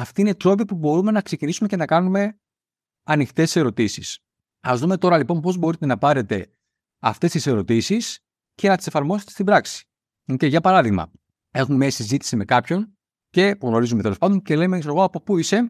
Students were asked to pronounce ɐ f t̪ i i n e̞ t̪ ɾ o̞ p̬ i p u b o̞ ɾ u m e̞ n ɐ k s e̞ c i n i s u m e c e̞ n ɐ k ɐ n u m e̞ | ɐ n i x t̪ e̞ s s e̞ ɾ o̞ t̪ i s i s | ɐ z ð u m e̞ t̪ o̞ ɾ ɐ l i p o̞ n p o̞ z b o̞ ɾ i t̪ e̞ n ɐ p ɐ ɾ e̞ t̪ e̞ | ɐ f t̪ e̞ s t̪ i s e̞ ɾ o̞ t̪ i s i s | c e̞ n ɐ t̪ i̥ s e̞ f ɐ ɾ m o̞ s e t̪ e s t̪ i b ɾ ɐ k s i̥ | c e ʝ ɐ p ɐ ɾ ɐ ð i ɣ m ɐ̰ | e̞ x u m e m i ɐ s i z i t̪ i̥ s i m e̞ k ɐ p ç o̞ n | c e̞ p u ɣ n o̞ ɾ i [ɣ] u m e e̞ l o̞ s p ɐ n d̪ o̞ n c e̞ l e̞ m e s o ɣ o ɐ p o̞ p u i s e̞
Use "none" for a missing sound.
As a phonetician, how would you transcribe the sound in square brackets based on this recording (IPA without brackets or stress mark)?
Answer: z